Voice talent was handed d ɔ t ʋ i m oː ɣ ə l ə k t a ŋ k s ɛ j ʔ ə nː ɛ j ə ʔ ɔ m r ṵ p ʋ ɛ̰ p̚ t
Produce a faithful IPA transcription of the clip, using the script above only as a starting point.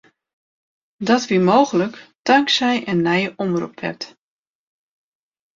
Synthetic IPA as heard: d ɔ t ʋ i m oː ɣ ə l ə k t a ŋ k s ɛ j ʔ ə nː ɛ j ə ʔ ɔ m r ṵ p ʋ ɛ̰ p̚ t